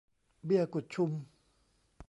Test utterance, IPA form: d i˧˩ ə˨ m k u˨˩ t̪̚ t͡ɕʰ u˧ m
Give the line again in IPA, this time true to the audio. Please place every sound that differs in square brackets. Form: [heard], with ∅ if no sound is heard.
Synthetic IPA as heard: [b] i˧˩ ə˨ [∅] k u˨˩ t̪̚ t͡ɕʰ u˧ m